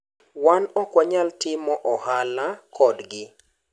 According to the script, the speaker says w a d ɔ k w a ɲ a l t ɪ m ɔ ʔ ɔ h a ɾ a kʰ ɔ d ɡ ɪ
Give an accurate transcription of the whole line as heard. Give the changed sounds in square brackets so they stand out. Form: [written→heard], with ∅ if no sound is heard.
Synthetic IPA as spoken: w a [d→n] ɔ k w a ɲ a l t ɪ m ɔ ʔ ɔ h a [ɾ→l] a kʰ ɔ d ɡ ɪ